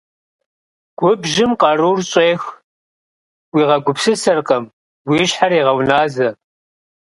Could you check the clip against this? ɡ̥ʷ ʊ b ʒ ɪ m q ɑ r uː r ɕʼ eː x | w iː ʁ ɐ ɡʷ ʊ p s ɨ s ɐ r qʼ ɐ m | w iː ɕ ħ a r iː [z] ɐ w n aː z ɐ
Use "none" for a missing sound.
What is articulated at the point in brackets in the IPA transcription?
ʁ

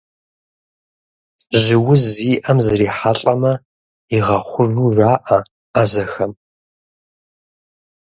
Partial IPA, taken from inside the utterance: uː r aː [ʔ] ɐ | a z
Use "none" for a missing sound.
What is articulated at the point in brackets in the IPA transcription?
ʔ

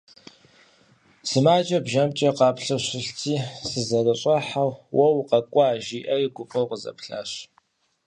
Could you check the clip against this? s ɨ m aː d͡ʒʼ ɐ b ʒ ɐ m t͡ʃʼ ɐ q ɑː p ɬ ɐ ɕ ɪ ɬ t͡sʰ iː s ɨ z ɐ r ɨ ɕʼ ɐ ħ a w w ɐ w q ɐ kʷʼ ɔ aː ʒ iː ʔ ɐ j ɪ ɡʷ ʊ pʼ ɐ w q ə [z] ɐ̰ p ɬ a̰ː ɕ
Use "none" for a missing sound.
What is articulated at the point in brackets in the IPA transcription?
z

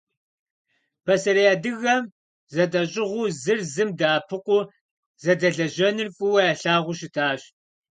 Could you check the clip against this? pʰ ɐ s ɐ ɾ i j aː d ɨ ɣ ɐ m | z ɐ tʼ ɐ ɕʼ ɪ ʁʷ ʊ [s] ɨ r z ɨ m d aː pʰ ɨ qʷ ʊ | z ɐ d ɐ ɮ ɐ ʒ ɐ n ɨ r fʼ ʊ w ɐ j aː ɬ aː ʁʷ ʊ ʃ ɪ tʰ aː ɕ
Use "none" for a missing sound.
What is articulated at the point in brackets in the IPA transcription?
z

